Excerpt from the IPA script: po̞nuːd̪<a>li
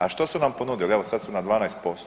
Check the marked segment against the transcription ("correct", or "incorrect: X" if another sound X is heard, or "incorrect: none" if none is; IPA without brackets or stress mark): incorrect: i